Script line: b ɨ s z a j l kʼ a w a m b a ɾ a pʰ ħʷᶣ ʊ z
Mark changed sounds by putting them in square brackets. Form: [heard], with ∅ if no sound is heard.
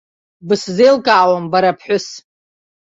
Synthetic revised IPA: b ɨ s z [e] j l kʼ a w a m b a ɾ a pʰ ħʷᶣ ʊ [s]